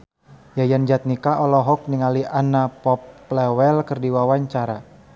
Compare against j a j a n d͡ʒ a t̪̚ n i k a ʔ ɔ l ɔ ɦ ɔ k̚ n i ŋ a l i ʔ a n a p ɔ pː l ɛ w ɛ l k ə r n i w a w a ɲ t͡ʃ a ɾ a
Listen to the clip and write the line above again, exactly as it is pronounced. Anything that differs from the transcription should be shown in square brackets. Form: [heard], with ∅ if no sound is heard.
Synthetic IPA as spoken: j a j a n d͡ʒ a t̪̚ n i k a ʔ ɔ l ɔ ɦ ɔ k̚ n i ŋ a l i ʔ a n a p ɔ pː l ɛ w ɛ l k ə r [d] i w a w a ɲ t͡ʃ a ɾ a